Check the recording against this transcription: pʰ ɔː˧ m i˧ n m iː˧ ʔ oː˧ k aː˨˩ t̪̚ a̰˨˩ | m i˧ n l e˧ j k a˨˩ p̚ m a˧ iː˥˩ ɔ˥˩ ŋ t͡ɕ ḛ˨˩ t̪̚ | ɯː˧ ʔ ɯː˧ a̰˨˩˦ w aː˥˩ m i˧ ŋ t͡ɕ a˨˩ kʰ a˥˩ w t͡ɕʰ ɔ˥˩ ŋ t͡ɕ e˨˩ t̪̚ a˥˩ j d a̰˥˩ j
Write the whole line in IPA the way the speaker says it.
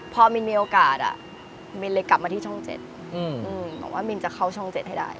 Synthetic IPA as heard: pʰ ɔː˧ m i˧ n m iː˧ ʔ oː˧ k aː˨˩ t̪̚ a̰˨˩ | m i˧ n l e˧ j k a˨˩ p̚ m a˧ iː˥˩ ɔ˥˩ ŋ t͡ɕ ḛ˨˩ t̪̚ | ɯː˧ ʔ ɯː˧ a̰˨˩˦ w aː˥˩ m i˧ n t͡ɕ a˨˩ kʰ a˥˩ w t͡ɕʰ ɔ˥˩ ŋ t͡ɕ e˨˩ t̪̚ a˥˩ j d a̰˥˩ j